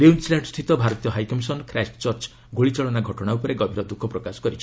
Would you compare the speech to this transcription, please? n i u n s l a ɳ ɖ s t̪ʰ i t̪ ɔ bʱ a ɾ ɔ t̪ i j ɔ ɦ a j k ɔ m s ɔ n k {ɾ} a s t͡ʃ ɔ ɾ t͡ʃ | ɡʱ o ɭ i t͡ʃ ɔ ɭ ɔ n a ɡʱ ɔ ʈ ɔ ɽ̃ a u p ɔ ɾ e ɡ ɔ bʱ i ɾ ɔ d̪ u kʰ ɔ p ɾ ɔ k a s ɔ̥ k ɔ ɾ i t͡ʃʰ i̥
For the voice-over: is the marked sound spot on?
yes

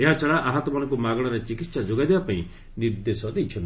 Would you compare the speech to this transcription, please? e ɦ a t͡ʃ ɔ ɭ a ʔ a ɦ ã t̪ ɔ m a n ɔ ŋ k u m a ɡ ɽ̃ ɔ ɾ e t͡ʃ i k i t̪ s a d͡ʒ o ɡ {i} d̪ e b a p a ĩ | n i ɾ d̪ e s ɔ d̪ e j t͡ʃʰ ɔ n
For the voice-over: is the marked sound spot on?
no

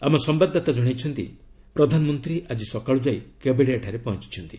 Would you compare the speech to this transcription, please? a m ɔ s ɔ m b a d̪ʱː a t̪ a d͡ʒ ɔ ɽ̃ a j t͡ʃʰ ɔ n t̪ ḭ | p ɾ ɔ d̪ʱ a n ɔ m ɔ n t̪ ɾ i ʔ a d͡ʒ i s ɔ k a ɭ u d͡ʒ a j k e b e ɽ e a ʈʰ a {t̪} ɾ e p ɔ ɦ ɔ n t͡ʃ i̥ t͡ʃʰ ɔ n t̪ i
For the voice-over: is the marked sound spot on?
no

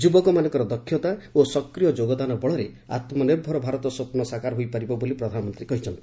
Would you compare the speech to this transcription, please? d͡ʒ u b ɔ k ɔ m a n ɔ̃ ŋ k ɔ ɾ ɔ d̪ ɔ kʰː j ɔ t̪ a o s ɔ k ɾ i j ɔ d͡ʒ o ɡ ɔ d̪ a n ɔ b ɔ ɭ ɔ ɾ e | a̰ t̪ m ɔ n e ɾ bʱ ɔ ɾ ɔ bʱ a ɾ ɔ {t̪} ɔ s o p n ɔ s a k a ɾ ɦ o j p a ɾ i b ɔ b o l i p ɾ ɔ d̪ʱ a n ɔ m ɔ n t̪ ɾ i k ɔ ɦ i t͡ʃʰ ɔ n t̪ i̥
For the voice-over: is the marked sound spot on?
yes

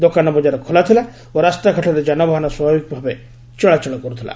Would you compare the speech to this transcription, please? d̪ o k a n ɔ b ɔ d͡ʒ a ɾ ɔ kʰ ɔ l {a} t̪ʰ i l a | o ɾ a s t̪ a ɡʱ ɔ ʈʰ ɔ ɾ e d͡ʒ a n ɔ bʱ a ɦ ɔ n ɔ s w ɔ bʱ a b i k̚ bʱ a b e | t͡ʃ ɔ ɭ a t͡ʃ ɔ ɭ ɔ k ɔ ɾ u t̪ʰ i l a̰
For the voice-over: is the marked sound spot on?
yes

